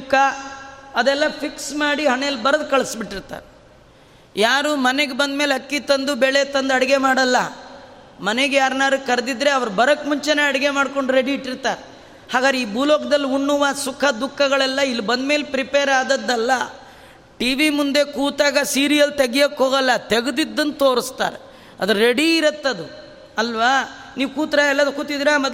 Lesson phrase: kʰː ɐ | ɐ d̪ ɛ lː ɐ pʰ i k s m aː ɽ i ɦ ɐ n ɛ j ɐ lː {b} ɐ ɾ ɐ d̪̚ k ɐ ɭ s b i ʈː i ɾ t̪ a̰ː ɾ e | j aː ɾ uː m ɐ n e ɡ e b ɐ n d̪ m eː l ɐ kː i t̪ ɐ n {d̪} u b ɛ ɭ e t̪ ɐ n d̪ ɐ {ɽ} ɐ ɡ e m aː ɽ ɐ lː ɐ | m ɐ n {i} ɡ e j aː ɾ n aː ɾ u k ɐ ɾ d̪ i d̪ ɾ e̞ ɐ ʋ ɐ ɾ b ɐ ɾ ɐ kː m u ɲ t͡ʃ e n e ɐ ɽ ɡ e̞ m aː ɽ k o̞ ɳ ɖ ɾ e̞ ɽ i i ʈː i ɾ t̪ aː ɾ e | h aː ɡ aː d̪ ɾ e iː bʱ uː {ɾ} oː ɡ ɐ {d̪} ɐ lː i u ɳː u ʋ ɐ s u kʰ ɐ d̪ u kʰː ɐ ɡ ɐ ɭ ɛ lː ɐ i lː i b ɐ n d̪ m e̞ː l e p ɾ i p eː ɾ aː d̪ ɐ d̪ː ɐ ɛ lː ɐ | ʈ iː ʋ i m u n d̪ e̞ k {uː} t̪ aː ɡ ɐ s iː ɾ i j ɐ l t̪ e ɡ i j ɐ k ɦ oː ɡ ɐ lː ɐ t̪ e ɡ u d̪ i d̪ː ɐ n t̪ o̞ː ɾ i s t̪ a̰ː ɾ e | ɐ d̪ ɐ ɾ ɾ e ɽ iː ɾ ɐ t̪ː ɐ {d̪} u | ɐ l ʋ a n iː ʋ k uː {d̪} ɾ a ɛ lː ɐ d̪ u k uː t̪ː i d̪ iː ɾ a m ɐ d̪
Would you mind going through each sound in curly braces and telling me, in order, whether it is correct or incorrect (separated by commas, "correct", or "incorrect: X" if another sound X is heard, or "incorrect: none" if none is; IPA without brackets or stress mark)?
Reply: correct, correct, correct, incorrect: e, incorrect: l, correct, correct, correct, incorrect: t̪